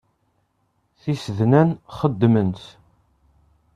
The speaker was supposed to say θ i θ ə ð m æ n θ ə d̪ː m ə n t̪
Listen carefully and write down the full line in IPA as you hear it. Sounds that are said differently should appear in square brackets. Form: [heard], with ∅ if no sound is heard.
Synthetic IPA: θ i [s] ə ð [n] æ n [χ] ə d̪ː m ə n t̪